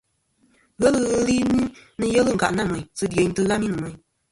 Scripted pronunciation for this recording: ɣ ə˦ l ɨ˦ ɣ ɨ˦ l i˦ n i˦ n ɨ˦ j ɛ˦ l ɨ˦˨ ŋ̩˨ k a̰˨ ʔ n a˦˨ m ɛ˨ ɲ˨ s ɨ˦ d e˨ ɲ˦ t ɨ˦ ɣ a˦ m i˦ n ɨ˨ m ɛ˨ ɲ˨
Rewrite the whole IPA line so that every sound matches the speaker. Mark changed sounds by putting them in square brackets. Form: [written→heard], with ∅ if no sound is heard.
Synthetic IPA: ɣ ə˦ l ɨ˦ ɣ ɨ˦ l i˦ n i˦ n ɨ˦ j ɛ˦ l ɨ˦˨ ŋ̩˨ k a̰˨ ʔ n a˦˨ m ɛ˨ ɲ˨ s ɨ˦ d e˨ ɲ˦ t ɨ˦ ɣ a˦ m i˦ n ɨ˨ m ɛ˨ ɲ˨

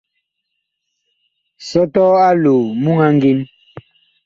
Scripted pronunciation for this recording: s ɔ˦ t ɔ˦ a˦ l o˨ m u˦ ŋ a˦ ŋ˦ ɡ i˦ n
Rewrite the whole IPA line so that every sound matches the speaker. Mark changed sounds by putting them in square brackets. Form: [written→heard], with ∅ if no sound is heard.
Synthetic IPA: s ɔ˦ t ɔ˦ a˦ l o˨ m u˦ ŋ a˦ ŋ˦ ɡ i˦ n

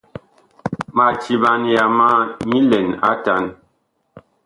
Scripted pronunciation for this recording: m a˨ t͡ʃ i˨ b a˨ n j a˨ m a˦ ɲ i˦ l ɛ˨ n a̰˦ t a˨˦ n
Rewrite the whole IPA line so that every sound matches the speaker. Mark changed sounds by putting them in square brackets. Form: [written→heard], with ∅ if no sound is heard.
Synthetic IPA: m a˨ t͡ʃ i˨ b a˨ n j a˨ m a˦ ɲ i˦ l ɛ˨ n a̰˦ t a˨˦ n

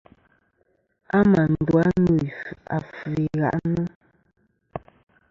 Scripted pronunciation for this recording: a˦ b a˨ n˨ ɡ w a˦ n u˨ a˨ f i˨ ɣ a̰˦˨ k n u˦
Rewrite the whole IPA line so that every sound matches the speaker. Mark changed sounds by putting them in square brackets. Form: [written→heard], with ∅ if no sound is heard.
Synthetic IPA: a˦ [b→m] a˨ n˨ [ɡ→d] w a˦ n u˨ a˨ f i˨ ɣ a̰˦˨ [k→ʔ] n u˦

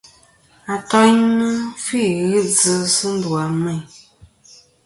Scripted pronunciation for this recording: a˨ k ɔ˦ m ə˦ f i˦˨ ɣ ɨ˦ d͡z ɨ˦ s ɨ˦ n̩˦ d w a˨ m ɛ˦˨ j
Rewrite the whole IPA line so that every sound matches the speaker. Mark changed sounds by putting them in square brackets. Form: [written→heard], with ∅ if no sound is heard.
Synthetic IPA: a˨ [k→t] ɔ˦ [m→n] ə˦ f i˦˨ ɣ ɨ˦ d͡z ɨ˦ s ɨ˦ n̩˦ d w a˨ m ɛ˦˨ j

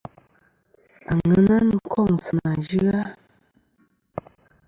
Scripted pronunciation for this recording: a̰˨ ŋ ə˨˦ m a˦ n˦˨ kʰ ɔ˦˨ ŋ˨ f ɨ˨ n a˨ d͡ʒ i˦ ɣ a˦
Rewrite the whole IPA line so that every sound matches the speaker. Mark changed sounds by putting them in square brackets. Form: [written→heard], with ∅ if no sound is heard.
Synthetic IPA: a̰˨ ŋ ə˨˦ [m→n] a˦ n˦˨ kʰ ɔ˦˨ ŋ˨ [f→s] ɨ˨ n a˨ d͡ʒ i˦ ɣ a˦

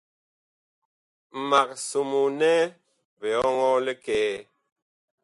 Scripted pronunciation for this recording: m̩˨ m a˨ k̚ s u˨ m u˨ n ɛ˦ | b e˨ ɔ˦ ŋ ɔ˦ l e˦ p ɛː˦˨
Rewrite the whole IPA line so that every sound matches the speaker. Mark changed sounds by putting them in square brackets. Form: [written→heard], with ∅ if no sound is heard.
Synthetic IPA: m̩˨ m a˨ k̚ s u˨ m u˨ n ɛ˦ | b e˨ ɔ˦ ŋ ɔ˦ l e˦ [p→k] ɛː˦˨

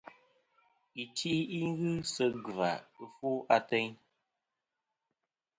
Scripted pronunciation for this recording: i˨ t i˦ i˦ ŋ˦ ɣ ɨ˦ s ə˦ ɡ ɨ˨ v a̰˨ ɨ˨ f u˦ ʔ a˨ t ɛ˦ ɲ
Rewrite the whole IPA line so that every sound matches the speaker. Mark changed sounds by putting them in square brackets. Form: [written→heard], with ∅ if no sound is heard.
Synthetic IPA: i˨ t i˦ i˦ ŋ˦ ɣ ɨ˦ s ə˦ ɡ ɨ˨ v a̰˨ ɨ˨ f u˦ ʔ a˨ t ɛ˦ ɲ

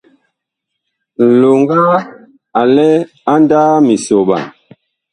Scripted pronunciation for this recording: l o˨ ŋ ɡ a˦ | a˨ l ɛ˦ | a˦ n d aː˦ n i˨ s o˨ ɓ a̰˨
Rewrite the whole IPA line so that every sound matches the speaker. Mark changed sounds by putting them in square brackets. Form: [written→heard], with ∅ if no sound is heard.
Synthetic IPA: l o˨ ŋ ɡ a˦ | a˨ l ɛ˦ | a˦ n d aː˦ [n→m] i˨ s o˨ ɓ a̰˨

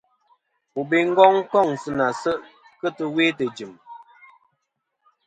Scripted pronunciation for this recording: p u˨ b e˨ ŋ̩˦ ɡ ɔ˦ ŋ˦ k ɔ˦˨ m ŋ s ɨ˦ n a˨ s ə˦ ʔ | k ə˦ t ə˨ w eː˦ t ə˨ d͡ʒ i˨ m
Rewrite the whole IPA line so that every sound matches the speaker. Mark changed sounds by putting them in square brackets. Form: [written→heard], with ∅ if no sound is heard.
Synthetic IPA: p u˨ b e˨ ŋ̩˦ ɡ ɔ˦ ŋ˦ k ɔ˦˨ [m→∅] ŋ s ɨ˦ n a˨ s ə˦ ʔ | k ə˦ t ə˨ w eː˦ t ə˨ d͡ʒ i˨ m

